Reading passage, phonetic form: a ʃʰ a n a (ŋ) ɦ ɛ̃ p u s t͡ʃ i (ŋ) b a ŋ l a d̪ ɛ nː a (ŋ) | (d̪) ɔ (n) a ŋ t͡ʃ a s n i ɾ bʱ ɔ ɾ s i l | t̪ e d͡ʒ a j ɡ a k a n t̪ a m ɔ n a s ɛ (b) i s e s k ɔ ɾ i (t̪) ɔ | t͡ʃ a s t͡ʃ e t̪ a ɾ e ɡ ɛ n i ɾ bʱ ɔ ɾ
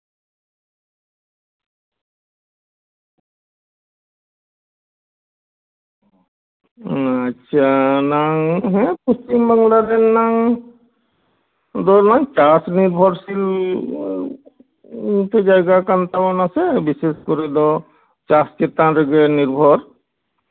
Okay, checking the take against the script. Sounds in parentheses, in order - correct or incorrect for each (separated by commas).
correct, incorrect, correct, correct, correct, correct, incorrect